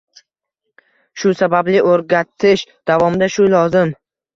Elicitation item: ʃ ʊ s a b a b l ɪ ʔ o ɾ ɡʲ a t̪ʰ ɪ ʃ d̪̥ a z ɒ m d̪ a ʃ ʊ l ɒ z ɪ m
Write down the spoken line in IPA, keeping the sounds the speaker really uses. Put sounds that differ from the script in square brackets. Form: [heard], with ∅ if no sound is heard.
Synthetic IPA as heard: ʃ ʊ s a b a b l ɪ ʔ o ɾ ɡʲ a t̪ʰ ɪ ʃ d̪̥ a [v] ɒ m d̪ a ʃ ʊ l ɒ z ɪ m